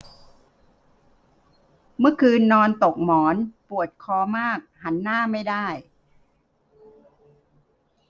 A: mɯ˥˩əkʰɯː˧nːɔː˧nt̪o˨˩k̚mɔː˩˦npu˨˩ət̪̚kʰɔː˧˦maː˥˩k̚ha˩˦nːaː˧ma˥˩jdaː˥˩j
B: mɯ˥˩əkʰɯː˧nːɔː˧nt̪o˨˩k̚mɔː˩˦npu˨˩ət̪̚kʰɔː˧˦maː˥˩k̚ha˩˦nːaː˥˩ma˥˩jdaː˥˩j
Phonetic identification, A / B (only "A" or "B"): B